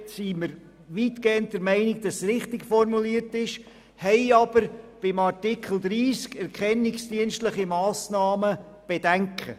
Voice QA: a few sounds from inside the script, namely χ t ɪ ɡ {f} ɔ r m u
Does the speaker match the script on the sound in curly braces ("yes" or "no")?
yes